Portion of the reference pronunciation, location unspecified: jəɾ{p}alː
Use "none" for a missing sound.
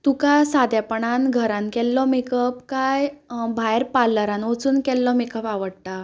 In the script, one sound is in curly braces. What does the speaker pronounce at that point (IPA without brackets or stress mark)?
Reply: p